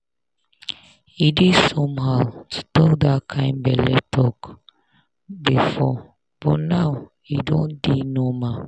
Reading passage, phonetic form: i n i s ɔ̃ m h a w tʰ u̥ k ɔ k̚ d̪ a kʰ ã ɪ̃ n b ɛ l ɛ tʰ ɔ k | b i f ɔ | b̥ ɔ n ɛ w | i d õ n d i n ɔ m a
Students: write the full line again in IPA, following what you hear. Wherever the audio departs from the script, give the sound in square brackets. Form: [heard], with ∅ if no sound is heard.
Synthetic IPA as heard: i [d] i s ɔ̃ m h a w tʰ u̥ [t] ɔ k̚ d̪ a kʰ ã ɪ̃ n b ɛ l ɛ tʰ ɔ k | b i f ɔ | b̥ ɔ n [a] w | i d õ n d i n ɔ m a